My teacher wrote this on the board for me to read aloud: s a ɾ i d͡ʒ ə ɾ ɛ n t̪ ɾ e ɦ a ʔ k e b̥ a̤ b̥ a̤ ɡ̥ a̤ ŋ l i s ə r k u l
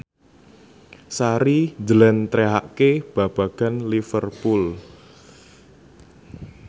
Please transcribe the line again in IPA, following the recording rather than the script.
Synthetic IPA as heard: s a ɾ i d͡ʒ ə l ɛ n t̪ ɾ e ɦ a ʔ k e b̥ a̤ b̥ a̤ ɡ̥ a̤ n l i f ə r p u l